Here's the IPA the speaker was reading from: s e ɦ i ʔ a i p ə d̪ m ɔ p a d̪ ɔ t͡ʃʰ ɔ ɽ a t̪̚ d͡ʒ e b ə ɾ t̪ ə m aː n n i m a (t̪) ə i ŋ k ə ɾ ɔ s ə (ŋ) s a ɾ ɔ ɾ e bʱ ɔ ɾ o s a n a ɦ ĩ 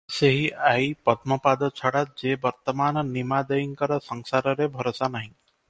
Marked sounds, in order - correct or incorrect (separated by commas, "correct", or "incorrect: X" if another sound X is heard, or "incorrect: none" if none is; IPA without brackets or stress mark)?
incorrect: d̪, correct